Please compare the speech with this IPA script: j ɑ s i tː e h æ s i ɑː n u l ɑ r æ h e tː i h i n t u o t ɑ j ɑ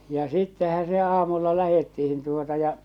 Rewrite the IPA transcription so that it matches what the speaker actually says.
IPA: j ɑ s i tː e h æ s e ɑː m u lː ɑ l æ h e tː i h i n t u o t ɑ j ɑ